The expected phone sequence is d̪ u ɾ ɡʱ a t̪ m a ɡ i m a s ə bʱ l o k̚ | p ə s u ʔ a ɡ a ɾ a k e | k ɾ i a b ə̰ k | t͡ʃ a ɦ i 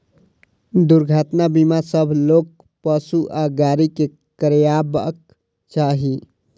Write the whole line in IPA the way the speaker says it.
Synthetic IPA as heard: d̪ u ɾ ɡʱ a t̪ n a b i m a s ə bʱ l o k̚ | p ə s u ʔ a ɡ a ɾ i k e | k ɾ j a b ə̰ k | t͡ʃ a ɦ i